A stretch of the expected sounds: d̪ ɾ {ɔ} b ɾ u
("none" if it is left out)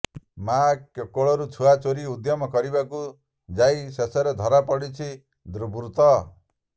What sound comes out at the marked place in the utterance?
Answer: u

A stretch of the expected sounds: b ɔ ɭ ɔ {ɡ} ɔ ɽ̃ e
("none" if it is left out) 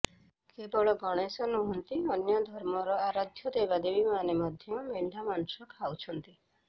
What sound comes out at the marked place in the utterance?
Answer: ɡ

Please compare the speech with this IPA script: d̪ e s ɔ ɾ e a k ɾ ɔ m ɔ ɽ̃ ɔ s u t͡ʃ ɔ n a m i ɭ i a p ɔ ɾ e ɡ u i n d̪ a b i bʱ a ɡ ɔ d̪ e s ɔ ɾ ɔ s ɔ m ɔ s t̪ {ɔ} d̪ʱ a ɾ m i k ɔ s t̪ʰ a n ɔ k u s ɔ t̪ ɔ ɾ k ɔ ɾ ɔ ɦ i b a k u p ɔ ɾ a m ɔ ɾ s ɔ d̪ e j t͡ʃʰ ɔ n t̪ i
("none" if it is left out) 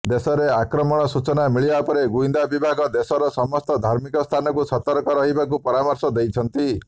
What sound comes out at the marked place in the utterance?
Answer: ɔ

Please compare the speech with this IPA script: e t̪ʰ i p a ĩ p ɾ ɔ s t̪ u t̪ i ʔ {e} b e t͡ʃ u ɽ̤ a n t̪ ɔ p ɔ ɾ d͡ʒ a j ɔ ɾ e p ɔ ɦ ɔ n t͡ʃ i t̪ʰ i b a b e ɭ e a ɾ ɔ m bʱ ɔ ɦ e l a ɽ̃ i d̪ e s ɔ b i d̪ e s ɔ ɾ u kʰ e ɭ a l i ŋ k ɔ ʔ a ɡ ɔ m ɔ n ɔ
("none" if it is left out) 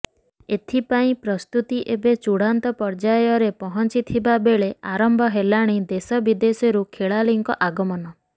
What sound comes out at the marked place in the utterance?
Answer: e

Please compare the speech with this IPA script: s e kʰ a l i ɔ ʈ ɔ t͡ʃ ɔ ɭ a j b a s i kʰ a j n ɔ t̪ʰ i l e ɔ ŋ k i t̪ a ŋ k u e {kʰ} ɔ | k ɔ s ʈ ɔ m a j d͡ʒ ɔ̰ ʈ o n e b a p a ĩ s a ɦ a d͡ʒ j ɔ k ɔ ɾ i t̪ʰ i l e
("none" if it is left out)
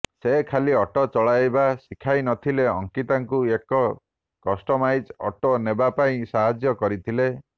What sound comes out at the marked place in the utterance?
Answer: k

